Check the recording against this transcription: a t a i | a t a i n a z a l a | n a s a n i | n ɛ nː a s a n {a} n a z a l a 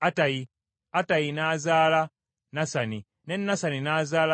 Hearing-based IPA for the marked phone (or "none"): i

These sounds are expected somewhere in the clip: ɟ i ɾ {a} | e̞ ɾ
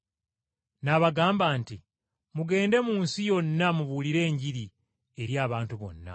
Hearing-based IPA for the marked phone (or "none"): i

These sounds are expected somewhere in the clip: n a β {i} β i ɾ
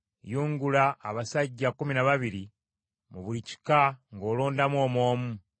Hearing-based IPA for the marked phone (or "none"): a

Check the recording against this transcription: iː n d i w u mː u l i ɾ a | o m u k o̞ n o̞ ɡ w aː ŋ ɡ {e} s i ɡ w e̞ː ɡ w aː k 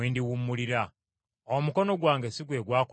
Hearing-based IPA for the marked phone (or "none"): e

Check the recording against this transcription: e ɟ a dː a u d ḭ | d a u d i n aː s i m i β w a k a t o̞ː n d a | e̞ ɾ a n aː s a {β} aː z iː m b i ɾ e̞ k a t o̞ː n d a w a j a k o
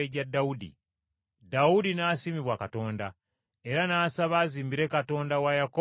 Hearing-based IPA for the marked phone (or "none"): β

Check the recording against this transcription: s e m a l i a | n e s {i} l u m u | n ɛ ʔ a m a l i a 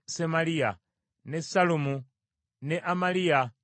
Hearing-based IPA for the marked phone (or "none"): a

